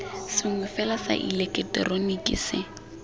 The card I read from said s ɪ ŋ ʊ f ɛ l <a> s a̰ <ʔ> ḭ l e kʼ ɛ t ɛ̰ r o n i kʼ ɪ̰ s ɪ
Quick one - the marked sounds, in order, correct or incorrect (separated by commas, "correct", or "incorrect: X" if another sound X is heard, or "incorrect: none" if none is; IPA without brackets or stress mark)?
correct, correct